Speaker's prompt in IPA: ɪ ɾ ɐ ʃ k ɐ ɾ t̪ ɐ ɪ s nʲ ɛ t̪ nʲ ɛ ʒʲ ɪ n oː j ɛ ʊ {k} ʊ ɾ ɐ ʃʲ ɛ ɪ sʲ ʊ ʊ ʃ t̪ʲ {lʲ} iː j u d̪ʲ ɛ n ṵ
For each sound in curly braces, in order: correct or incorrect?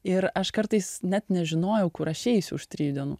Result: correct, incorrect: ɾʲ

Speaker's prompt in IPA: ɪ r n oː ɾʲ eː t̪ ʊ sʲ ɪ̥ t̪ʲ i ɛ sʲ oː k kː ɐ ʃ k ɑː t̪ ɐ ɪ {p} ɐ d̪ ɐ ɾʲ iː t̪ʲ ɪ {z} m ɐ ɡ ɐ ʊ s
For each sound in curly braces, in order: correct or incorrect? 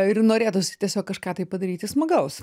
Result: correct, incorrect: s

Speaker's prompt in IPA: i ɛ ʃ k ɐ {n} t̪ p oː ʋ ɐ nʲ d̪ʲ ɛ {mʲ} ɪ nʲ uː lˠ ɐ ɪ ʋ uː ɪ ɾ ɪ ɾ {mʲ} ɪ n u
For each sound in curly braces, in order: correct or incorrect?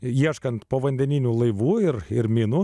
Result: correct, incorrect: nʲ, correct

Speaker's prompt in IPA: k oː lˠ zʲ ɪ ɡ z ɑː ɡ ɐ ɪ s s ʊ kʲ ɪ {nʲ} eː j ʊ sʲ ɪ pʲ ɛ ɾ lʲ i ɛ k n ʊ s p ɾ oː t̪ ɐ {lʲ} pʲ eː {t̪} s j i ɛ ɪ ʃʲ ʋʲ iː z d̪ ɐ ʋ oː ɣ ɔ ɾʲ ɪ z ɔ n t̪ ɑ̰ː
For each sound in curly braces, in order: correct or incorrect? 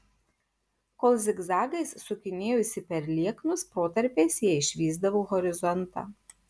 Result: correct, incorrect: ɾʲ, incorrect: none

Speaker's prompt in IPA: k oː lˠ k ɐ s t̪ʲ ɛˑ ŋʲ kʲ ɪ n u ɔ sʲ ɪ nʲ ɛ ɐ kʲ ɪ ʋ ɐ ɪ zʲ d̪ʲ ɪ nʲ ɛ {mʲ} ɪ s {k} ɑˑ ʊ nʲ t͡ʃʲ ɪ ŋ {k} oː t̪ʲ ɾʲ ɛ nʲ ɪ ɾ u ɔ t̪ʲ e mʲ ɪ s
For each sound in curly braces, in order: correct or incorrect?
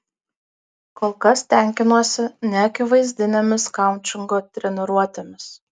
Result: correct, correct, incorrect: ɡ

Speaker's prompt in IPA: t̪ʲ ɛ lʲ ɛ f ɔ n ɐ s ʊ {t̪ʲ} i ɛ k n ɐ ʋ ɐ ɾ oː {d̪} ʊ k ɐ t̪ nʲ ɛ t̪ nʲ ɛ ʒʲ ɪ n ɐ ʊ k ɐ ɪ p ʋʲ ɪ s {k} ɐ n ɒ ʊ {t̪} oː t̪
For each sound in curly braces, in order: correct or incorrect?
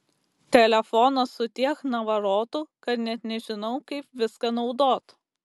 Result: correct, incorrect: t̪, correct, incorrect: d̪

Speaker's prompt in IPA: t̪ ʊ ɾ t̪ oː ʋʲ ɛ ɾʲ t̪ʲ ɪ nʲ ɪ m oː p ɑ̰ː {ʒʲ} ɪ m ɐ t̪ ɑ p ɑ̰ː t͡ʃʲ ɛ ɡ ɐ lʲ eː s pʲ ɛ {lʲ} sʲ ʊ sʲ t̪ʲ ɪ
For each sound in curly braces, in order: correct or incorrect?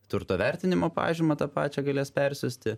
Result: correct, incorrect: ɾʲ

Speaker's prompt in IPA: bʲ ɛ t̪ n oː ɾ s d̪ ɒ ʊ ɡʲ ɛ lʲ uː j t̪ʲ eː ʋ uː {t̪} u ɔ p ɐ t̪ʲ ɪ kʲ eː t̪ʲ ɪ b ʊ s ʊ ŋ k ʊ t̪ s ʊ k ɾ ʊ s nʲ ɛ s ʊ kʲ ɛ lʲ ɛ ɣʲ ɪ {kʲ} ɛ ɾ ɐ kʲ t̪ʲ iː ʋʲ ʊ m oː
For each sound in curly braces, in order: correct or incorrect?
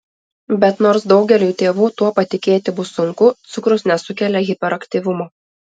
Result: correct, incorrect: pʲ

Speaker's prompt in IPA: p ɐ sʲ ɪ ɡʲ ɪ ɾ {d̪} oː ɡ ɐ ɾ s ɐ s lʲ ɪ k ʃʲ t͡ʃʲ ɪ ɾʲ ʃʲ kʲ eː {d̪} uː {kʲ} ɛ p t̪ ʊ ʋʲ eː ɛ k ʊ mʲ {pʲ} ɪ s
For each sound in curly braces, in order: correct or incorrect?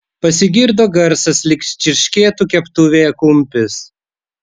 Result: correct, incorrect: t̪, correct, correct

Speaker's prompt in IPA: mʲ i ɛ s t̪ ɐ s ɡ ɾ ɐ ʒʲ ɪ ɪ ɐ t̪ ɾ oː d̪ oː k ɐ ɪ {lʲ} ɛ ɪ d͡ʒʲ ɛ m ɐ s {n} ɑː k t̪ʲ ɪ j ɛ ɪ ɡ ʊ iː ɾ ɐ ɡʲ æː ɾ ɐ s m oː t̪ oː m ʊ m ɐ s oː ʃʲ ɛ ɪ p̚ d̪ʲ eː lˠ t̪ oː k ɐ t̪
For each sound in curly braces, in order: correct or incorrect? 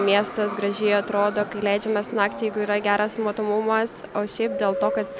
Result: correct, correct

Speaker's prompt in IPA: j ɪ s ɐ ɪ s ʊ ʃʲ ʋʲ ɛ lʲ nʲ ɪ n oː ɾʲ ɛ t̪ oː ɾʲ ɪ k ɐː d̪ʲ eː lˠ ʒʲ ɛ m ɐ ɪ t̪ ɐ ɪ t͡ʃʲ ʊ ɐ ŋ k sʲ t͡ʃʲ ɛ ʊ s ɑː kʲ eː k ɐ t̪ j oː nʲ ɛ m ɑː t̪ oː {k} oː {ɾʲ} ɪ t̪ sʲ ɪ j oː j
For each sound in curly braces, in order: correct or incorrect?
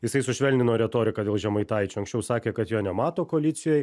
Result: correct, incorrect: lʲ

